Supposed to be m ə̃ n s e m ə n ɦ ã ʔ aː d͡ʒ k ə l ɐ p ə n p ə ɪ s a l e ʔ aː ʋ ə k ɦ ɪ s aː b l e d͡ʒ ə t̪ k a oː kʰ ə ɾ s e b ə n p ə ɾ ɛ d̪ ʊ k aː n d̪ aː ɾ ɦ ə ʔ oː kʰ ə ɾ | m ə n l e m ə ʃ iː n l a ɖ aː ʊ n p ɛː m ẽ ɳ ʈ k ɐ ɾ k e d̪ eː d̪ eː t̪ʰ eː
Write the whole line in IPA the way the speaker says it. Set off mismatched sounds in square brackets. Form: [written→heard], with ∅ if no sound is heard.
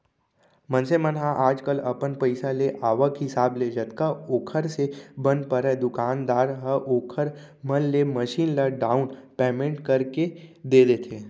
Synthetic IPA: m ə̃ n s e m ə n ɦ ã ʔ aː d͡ʒ k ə l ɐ p ə n p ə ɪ s a l e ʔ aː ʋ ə k ɦ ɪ s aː b l e d͡ʒ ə t̪ k a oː kʰ ə ɾ s e b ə n p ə ɾ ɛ d̪ ʊ k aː n d̪ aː ɾ ɦ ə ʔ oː kʰ ə ɾ | m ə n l e m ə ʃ iː n l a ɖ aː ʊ n p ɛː m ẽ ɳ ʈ k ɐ ɾ k e d̪ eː d̪ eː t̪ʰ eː

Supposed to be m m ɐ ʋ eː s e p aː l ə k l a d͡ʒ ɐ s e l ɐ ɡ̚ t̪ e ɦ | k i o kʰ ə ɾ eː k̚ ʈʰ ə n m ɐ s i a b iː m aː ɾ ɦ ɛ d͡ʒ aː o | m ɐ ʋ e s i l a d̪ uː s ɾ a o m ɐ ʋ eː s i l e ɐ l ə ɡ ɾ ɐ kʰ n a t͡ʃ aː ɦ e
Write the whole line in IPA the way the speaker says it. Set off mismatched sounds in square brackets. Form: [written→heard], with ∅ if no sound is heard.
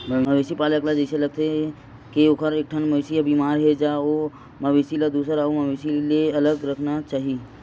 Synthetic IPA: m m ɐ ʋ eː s [e→i] p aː l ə k l a d͡ʒ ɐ s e l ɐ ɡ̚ t̪ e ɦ | k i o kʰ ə ɾ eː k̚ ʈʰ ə n m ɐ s i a b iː m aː ɾ ɦ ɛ d͡ʒ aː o | m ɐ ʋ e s i l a d̪ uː s ɾ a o m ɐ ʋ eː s i l e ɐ l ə ɡ ɾ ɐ kʰ n a t͡ʃ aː ɦ [e→i]

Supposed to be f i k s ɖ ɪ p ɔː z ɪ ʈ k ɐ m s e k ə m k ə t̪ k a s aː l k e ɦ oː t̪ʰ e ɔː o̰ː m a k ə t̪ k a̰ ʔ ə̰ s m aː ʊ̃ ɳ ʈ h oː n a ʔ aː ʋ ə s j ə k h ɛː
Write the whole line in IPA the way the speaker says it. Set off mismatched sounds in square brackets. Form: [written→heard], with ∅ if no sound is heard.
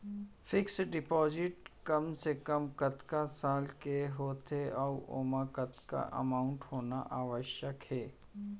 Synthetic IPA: f [i→ɪ] k s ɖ ɪ p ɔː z ɪ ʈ k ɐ m s e k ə m k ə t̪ k a s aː l k e ɦ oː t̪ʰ e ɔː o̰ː m a k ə t̪ k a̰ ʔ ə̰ [s→∅] m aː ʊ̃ ɳ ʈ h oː n a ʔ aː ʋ ə [s→ʃ] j ə k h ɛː

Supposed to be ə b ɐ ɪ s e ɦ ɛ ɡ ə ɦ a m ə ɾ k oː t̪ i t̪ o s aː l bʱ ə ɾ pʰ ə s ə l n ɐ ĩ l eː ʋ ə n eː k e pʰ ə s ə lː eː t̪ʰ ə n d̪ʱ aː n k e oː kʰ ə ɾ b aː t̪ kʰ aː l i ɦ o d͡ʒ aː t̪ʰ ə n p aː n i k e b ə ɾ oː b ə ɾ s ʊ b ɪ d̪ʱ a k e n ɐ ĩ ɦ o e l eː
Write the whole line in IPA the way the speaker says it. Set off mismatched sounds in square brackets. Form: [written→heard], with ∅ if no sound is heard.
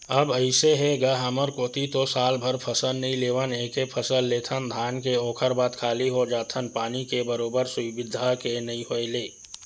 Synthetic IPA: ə b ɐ ɪ s e ɦ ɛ ɡ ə ɦ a m ə ɾ k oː t̪ i t̪ o s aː l bʱ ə ɾ pʰ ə s ə l n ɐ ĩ l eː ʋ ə n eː k e pʰ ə s ə lː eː t̪ʰ ə n d̪ʱ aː n k e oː kʰ ə ɾ b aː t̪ kʰ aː l i ɦ o d͡ʒ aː t̪ʰ ə n p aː n i k e b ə ɾ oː b ə ɾ s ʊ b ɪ d̪ʱ a k e n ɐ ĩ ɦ o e l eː

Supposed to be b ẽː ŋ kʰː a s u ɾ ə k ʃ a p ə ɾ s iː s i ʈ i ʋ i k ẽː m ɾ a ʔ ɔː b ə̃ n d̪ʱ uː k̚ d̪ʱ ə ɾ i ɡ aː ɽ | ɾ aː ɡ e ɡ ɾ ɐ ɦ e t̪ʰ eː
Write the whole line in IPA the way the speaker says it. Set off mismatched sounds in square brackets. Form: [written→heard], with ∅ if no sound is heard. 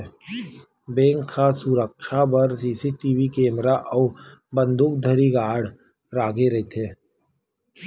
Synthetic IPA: b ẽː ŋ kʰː a s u ɾ ə k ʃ a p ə ɾ s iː s i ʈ i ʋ i k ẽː m ɾ a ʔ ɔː b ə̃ n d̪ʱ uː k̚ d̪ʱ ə ɾ i ɡ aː ɽ | ɾ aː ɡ e [ɡ→∅] ɾ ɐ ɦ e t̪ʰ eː

